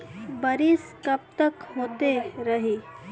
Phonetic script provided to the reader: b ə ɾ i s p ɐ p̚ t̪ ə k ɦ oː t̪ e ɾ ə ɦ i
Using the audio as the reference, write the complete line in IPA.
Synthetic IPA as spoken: b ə ɾ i s k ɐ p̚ t̪ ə k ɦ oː t̪ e ɾ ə ɦ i